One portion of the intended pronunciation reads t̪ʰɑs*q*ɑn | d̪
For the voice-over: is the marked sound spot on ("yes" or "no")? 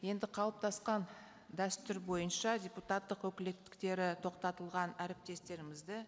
yes